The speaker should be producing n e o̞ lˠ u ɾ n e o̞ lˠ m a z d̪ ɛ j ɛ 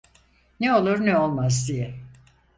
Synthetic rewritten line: n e o̞ lˠ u ɾ n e o̞ lˠ m a z d̪ i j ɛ